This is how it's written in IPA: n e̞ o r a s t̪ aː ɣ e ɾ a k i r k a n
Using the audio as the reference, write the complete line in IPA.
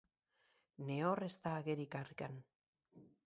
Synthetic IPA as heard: n e̞ o r e s t̪ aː ɣ e ɾ i k a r k a n

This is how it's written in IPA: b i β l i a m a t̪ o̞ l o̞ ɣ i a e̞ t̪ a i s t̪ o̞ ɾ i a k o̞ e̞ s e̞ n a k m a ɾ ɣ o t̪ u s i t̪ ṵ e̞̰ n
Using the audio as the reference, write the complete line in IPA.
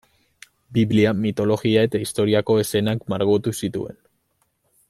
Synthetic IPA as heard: b i β l i a m i t̪ o̞ l o̞ ɣ i a e̞ t̪ a i s t̪ o̞ ɾ i a k o̞ e̞ s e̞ n a k m a ɾ ɣ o t̪ u s i t̪ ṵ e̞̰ n

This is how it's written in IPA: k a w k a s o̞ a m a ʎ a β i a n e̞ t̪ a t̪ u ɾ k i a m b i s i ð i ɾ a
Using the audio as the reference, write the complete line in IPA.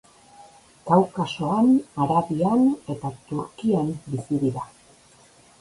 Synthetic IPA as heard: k a w k a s o̞ a n a ɾ a β i a n e̞ t̪ a t̪ u ɾ k i a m b i s i ð i ɾ a

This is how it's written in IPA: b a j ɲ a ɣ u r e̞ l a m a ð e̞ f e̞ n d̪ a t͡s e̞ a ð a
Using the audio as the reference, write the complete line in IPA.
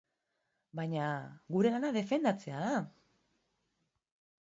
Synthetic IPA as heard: b a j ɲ a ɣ u ɾ e̞ l a n a ð e̞ f e̞ n d̪ a t͡s e̞ a ð a

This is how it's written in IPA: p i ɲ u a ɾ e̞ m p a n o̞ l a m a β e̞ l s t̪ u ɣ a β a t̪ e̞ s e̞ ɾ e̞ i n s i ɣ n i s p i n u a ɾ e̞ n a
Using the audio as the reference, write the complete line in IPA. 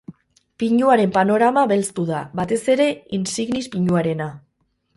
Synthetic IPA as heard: p i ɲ u a ɾ e̞ m p a n o̞ ɾ a m a β e̞ l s t̪ u ð a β a t̪ e̞ s e̞ ɾ e̞ i n s i ɣ n i s p i ɲ u a ɾ e̞ n a

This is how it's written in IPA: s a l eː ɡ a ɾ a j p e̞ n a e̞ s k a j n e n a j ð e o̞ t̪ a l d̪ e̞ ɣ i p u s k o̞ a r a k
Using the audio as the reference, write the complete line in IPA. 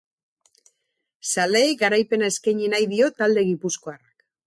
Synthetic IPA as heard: s a l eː ɡ a ɾ a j p e̞ n a e̞ s k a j ɲ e n a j ð i o̞ t̪ a l d̪ e̞ ɣ i p u s k o̞ a r a k

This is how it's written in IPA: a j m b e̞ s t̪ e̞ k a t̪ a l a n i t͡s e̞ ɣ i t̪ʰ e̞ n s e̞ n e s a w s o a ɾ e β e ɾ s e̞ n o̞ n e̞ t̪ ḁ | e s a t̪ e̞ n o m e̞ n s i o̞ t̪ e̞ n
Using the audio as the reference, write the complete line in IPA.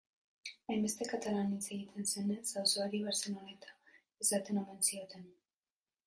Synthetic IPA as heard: a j m b e̞ s t̪ e̞ k a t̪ a l a n i t͡s e̞ ɣ i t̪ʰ e̞ n s e̞ n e s a w s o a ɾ i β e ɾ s e̞ n o̞ n e̞ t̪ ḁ | e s a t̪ e̞ n o m e̞ n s i o̞ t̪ e̞ n

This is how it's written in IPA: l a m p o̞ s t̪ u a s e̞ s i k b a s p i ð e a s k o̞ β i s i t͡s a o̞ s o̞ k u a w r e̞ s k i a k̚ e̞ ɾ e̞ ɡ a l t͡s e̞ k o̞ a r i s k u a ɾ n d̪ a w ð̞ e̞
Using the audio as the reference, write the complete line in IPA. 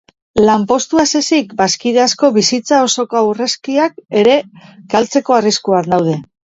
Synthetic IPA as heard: l a m p o̞ s t̪ u a s e̞ s i k b a s k i ð e a s k o̞ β i s i t͡s a o̞ s o̞ k o a w r e̞ s k i a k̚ e̞ ɾ e̞ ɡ a l t͡s e̞ k o̞ a r i s k u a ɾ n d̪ a w ð̞ e̞

